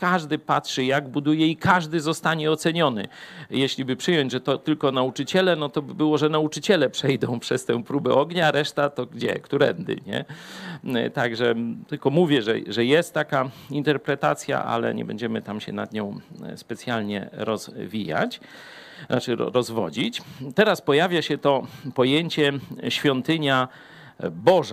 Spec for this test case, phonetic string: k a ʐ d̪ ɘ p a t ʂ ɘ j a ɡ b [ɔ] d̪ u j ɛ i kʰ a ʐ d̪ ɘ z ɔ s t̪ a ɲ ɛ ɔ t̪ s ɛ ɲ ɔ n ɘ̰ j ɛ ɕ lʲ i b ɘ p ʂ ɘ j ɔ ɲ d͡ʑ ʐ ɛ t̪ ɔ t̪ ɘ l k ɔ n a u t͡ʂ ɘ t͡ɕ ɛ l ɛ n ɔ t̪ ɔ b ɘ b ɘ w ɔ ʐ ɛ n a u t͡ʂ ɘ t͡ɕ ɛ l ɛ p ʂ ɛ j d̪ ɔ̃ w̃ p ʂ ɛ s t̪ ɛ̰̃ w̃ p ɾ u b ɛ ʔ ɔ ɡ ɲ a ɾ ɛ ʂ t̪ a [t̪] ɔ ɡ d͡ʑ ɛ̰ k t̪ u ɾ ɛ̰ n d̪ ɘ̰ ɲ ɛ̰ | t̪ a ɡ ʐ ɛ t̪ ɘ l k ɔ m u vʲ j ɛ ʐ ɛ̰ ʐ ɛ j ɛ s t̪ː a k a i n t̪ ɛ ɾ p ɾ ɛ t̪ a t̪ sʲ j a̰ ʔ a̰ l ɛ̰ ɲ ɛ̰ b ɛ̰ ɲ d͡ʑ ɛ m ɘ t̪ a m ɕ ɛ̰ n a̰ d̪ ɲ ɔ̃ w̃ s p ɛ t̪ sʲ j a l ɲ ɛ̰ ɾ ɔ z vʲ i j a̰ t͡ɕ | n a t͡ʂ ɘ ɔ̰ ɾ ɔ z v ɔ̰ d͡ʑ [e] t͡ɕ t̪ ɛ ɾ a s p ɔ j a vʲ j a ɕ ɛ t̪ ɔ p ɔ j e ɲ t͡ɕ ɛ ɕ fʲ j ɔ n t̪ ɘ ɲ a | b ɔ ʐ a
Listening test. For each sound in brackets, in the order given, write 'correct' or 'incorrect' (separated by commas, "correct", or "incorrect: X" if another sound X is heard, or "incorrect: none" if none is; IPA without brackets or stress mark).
incorrect: u, correct, incorrect: i